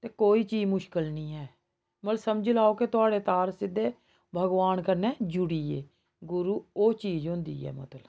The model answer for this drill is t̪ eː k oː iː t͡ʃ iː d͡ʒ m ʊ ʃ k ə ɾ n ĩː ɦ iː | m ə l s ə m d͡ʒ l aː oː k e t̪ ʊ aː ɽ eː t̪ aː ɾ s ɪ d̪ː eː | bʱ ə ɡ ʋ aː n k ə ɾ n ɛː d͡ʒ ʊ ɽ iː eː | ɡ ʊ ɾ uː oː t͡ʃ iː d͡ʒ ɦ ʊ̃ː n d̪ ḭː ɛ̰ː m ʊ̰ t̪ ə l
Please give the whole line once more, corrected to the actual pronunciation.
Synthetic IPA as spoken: t̪ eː k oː iː t͡ʃ iː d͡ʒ m ʊ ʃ k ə l n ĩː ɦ ɛː | m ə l s ə m d͡ʒ l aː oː k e t̪ ʊ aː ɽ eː t̪ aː ɾ s ɪ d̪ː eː | bʱ ə ɡ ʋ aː n k ə ɾ n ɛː d͡ʒ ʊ ɽ iː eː | ɡ ʊ ɾ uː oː t͡ʃ iː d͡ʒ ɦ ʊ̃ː n d̪ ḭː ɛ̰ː m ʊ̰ t̪ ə l